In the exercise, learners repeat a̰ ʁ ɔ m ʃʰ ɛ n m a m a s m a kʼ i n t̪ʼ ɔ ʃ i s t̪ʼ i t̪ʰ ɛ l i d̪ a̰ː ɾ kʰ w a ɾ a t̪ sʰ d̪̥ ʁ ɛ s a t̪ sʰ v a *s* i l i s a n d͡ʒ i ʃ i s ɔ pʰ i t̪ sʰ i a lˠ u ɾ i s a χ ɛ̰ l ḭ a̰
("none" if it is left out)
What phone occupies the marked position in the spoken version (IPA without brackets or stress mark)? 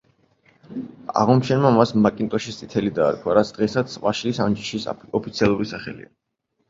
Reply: ʃ